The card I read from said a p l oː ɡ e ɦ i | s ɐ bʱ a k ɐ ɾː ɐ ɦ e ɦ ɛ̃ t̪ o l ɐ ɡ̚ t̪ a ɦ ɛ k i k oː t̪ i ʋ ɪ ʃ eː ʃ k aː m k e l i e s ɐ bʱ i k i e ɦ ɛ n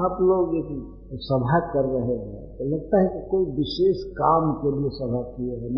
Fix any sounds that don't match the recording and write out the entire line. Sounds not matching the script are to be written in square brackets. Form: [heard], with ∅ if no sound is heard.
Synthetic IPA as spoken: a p l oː ɡ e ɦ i | s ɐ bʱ a k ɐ ɾː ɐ ɦ e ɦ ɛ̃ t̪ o l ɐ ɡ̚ t̪ a ɦ ɛ k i k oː [∅] i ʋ ɪ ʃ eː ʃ k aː m k e l i e s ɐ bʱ [a] k i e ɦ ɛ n